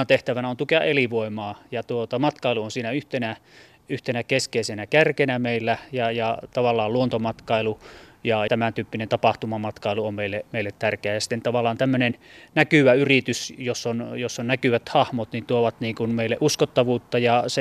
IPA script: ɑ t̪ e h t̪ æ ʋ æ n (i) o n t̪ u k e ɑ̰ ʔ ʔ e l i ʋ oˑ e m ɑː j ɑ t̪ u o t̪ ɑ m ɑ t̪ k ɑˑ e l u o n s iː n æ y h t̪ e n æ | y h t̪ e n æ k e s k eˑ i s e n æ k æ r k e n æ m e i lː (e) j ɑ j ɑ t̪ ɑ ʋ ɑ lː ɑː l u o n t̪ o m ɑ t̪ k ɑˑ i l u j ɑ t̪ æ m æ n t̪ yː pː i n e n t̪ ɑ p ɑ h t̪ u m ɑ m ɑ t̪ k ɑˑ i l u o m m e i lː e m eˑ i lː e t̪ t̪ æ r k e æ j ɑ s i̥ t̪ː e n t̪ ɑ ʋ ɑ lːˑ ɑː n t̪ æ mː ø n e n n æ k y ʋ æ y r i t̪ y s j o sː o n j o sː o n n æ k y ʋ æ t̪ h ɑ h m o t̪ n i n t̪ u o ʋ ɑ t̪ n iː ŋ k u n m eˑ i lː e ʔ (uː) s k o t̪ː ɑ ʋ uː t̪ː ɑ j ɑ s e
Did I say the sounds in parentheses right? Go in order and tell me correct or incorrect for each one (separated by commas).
incorrect, incorrect, incorrect